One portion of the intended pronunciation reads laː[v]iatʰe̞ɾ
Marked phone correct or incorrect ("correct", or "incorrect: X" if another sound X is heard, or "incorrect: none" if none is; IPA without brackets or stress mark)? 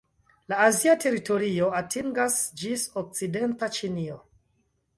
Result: incorrect: z